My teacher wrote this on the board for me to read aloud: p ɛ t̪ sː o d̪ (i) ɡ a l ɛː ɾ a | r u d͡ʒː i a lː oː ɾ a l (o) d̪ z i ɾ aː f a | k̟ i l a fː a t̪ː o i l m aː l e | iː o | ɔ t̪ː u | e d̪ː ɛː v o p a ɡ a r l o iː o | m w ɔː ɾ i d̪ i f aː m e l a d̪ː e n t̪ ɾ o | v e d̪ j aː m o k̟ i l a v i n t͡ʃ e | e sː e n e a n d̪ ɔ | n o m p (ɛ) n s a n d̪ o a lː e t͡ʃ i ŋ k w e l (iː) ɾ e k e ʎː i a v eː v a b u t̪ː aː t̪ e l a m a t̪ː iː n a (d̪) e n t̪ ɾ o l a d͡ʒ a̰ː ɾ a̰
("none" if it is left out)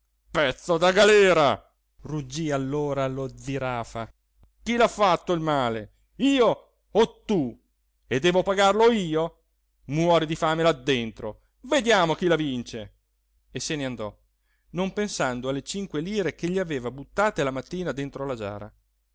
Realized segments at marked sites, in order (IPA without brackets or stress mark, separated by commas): a, o, e, iː, d̪